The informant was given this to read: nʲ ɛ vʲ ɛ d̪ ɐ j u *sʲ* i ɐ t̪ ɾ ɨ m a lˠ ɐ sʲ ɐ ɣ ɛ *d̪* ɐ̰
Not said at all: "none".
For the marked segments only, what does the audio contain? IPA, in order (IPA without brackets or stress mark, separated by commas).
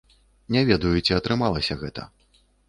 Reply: t͡sʲ, t̪